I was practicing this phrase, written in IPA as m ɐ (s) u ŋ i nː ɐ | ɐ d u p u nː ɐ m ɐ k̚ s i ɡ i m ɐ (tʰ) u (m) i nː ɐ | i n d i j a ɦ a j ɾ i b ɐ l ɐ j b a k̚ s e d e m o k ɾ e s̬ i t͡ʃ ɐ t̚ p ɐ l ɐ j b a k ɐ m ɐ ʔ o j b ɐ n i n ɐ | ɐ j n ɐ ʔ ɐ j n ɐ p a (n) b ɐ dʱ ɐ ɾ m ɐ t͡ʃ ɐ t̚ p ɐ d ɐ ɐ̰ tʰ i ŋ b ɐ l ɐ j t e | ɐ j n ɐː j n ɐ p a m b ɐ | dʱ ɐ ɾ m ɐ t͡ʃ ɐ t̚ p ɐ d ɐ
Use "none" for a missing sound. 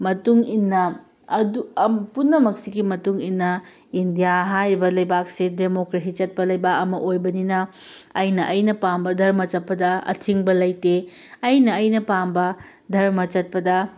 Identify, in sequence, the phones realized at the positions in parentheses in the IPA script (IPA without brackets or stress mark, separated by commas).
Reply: t, t, ŋ, m